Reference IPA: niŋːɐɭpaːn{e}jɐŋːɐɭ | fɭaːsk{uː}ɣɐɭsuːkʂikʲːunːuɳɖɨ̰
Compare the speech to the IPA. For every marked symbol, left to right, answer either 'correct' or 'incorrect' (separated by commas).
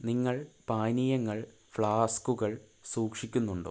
incorrect, incorrect